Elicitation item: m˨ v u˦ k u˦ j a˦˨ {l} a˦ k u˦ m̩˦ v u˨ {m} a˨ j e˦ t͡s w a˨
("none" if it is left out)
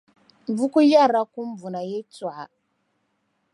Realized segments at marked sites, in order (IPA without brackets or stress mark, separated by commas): ɾ, n